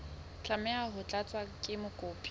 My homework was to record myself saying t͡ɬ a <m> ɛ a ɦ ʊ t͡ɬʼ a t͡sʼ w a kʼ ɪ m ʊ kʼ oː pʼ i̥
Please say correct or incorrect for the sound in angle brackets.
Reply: correct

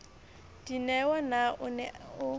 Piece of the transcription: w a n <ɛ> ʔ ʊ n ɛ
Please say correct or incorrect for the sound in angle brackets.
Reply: incorrect: a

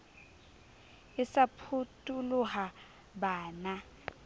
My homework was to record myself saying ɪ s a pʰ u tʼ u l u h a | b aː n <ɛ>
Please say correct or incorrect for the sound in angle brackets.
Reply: incorrect: a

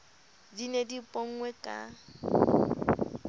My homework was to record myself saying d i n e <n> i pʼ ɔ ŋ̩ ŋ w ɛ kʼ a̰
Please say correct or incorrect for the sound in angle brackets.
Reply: incorrect: d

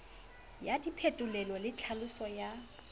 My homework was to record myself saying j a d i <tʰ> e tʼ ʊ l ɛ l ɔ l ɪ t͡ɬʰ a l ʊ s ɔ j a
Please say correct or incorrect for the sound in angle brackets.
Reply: incorrect: pʰ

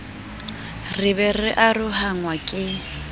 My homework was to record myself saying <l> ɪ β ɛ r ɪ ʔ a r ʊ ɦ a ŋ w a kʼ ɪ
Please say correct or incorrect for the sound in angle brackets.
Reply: incorrect: r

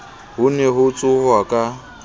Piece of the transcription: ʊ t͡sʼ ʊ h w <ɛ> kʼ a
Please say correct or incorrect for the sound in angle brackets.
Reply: incorrect: a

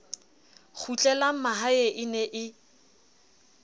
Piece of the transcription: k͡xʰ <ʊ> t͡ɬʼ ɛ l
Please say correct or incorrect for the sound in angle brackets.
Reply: incorrect: u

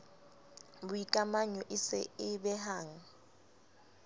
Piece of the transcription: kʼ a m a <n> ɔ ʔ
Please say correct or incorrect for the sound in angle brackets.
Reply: incorrect: ɲ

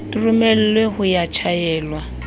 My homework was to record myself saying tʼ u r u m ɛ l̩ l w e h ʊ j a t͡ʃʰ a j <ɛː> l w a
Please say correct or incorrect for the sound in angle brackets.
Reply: correct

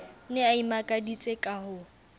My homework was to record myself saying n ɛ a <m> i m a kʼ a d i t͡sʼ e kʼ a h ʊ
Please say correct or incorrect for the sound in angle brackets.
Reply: incorrect: none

